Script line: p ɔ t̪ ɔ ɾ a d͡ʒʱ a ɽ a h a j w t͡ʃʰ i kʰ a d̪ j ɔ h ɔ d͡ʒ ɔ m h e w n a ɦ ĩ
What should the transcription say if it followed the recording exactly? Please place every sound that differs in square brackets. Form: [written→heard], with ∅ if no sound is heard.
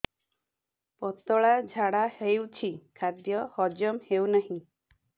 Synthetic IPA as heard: p ɔ t̪ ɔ [ɾ→ɭ] a d͡ʒʱ a ɽ a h [a→e] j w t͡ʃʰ i kʰ a d̪ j ɔ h ɔ d͡ʒ ɔ m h e w n a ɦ ĩ